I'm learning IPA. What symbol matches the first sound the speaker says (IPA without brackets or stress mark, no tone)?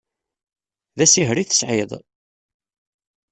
ð